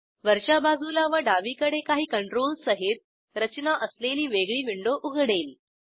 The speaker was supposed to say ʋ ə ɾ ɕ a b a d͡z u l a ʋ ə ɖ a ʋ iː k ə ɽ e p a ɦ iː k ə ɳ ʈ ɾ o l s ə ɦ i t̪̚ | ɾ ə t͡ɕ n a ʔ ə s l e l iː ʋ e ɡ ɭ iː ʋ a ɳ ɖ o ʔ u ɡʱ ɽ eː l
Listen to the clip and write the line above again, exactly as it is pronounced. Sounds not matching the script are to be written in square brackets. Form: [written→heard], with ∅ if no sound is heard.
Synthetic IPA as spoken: ʋ ə ɾ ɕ a b a d͡z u l a ʋ ə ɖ a ʋ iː k ə ɽ e [p→k] a ɦ iː k ə ɳ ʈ ɾ o l s ə ɦ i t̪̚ | ɾ ə t͡ɕ n a ʔ ə s l e l iː ʋ e ɡ ɭ iː ʋ [a→i] ɳ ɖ o ʔ u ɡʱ ɽ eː l